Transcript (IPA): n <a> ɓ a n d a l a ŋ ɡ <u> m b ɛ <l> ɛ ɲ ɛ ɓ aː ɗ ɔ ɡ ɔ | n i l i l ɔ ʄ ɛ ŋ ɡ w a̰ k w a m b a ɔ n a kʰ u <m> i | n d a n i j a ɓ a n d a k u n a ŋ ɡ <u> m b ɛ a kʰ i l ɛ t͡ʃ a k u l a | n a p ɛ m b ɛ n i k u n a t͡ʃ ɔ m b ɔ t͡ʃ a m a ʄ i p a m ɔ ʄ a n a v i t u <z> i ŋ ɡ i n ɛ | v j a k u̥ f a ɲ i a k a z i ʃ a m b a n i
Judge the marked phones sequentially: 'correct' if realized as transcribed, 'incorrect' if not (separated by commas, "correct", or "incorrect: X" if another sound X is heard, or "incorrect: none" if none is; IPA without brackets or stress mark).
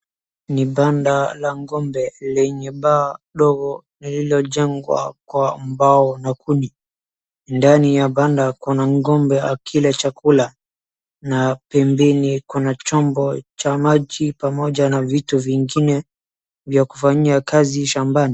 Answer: incorrect: i, incorrect: ɔ, correct, incorrect: n, incorrect: ɔ, incorrect: v